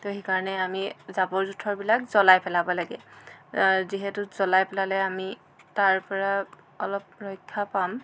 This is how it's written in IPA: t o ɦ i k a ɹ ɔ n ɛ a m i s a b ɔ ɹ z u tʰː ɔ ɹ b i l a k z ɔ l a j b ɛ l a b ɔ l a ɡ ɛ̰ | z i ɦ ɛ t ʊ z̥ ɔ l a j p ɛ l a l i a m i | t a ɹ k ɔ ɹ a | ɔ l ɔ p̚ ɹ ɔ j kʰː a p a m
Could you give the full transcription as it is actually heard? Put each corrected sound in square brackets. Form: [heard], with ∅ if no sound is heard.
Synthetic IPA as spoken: t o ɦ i k a ɹ ɔ n ɛ a m i [z] a b ɔ ɹ z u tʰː ɔ ɹ b i l a k z ɔ l a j [p] ɛ l a b ɔ l a ɡ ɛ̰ | z i ɦ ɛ t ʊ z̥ ɔ l a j p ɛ l a l [ɛ] a m i | t a ɹ [p] ɔ ɹ a | ɔ l ɔ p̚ ɹ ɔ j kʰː a p a m